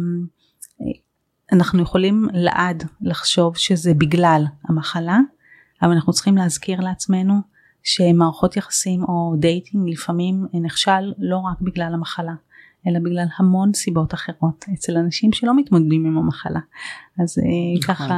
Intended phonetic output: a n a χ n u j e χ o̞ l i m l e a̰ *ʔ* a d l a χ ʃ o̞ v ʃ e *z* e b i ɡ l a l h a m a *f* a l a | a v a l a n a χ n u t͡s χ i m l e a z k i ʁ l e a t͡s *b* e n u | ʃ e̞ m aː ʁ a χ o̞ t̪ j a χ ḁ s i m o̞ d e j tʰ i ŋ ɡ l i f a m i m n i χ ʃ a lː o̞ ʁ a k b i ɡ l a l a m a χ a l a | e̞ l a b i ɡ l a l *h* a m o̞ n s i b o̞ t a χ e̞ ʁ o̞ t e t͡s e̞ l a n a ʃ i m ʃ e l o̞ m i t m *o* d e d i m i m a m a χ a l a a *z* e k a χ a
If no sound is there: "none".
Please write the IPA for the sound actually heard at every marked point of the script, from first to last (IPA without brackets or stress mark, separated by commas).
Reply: ʔ, z, χ, m, h, o, z